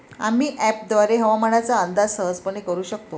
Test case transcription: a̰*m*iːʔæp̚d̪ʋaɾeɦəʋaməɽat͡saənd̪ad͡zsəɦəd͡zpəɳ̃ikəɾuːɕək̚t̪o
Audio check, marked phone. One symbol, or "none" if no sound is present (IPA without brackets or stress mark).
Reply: m